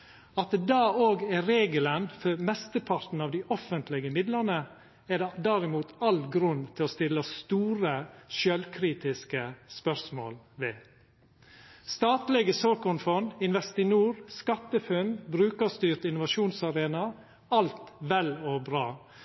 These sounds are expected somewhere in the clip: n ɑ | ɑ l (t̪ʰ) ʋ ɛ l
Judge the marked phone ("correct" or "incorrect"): incorrect